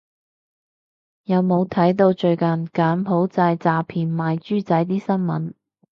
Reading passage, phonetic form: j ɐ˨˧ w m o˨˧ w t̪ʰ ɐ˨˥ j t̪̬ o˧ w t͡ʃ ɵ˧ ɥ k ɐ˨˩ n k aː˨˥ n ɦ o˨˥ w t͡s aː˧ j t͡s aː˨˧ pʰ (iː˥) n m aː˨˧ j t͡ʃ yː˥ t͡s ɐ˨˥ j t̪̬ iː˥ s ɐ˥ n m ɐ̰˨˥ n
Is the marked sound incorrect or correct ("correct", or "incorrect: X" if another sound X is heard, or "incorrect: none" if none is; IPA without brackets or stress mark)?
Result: incorrect: iː˨˩